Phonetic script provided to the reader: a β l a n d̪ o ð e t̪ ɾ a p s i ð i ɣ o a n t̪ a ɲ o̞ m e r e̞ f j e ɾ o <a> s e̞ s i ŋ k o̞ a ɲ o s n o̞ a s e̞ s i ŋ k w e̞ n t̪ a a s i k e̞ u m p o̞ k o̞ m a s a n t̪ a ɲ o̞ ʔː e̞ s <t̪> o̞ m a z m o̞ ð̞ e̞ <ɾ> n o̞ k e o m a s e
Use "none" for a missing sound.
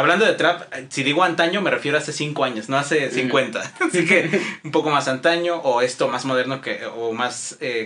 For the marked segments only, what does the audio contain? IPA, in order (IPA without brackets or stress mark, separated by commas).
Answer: a, t̪, ɾ